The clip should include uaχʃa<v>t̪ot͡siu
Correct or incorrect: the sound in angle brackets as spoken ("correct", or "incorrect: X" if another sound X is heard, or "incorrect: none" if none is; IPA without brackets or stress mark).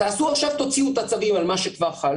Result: correct